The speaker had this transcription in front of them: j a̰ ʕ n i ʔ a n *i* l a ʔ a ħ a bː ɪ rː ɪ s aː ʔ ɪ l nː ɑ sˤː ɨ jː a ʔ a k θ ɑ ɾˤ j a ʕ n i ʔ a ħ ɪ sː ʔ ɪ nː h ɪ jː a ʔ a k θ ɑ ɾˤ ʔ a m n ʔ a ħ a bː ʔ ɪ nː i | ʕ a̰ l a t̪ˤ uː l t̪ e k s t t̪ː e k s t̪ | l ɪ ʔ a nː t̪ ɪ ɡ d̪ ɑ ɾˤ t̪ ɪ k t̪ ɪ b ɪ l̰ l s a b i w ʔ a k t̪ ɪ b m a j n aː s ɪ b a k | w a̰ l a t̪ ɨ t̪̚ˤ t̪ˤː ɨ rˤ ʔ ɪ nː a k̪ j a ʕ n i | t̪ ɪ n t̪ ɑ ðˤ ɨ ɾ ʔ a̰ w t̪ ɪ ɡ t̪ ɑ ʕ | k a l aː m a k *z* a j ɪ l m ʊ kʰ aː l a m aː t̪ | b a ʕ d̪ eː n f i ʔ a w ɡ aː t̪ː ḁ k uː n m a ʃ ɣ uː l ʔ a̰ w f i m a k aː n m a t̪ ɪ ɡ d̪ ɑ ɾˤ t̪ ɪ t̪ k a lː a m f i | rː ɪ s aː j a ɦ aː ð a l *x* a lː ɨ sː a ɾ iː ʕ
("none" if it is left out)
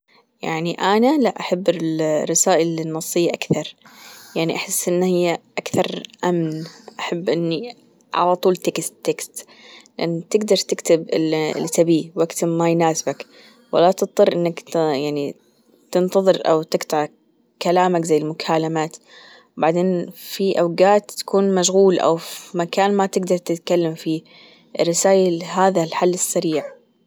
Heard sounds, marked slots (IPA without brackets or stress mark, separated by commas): a, z, ħ